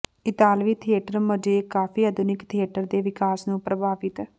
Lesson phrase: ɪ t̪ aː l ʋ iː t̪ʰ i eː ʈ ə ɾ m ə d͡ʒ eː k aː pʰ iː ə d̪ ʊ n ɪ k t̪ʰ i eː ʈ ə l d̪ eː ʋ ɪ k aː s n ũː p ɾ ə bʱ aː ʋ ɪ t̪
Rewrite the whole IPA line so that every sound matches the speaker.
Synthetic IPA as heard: ɪ t̪ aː l ʋ iː t̪ʰ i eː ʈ ə ɾ m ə d͡ʒ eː k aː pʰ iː ə d̪ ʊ n ɪ k t̪ʰ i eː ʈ ə ɾ d̪ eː ʋ ɪ k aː s n ũː p ɾ ə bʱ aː ʋ ɪ t̪

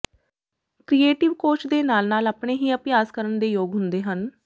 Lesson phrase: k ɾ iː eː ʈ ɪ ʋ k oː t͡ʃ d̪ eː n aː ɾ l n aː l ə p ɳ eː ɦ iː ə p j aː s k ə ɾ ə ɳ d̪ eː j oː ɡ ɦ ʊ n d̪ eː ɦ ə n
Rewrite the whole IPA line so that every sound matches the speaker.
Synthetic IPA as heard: k ɾ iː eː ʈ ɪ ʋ k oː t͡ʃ d̪ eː n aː l n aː l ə p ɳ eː ɦ iː ə p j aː s k ə ɾ ə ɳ d̪ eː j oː ɡ ɦ ʊ n d̪ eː ɦ ə n

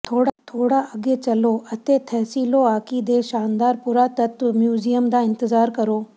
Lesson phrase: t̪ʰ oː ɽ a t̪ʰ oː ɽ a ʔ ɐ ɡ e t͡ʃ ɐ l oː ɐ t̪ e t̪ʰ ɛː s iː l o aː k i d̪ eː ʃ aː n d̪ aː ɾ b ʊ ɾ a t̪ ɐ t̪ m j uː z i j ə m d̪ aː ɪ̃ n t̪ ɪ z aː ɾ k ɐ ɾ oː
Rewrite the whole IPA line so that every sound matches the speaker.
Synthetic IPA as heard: t̪ʰ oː ɽ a t̪ʰ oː ɽ a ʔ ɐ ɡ e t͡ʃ ɐ l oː ɐ t̪ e t̪ʰ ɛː s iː l o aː k i d̪ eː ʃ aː n d̪ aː ɾ p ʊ ɾ a t̪ ɐ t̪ m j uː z i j ə m d̪ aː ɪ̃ n t̪ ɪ z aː ɾ k ɐ ɾ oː

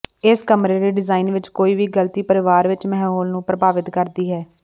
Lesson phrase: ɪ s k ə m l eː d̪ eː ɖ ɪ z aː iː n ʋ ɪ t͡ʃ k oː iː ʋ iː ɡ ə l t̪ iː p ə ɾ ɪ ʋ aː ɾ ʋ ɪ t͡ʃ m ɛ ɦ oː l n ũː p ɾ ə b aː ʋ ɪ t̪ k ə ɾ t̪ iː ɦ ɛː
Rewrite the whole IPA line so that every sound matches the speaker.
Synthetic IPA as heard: ɪ s k ə m ɾ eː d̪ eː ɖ ɪ z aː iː n ʋ ɪ t͡ʃ k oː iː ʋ iː ɡ ə l t̪ iː p ə ɾ ɪ ʋ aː ɾ ʋ ɪ t͡ʃ m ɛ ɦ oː l n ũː p ɾ ə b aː ʋ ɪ t̪ k ə ɾ d̪ iː ɦ ɛː

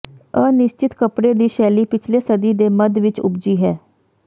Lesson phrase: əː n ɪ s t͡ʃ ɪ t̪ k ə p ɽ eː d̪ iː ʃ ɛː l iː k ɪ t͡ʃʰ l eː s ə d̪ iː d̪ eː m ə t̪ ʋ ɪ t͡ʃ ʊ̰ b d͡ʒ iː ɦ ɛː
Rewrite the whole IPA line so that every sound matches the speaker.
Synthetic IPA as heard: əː n ɪ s t͡ʃ ɪ t̪ k ə p ɽ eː d̪ iː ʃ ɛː l iː p ɪ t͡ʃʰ l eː s ə d̪ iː d̪ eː m ə d̪ ʋ ɪ t͡ʃ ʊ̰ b d͡ʒ iː ɦ ɛː

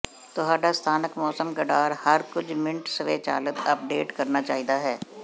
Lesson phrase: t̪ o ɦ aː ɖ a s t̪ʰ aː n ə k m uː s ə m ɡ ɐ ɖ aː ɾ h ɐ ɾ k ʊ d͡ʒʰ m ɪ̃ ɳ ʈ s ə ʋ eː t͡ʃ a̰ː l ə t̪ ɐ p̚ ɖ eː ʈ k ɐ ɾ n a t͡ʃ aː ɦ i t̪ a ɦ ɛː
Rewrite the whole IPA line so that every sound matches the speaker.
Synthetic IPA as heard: t̪ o ɦ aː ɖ a s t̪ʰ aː n ə k m ɔː s ə m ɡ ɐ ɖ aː ɾ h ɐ ɾ k ʊ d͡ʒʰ m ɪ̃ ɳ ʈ s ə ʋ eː t͡ʃ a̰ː l ə t̪ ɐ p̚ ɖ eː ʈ k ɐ ɾ n a t͡ʃ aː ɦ i d̪ a ɦ ɛː

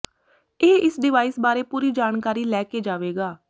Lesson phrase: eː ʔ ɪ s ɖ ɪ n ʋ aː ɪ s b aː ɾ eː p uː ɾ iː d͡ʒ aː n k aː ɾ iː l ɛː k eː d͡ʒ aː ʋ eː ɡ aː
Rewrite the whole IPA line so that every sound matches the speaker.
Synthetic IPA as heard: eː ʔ ɪ s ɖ ɪ ʋ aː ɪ s b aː ɾ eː p uː ɾ iː d͡ʒ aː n k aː ɾ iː l ɛː k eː d͡ʒ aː ʋ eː ɡ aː

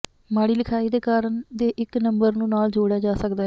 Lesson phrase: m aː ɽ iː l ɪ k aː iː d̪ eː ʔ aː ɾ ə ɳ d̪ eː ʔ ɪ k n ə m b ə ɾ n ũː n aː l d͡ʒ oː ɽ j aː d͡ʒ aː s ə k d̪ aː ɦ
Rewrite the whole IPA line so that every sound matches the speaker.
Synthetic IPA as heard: m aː ɽ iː l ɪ kʰ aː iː d̪ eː k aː ɾ ə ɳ d̪ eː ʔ ɪ k n ə m b ə ɾ n ũː n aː l d͡ʒ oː ɽ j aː d͡ʒ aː s ə k d̪ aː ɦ

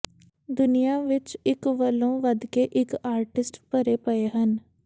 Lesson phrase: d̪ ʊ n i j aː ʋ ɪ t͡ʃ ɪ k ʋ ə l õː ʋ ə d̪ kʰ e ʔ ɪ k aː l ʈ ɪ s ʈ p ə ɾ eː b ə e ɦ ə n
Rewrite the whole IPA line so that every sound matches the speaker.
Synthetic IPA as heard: d̪ ʊ n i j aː ʋ ɪ t͡ʃ ɪ k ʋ ə l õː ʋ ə d̪ k e ʔ ɪ k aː ɾ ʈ ɪ s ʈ p ə ɾ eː p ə e ɦ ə n

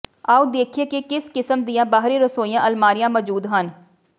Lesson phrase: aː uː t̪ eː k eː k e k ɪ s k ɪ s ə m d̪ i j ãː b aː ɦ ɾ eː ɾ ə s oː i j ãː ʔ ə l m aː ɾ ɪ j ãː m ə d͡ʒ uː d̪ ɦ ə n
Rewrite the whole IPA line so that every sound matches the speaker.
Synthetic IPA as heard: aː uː d̪ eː kʰ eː k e k ɪ s k ɪ s ə m d̪ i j ãː b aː ɦ ɾ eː ɾ ə s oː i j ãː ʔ ə l m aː ɾ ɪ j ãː m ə d͡ʒ uː d̪ ɦ ə n

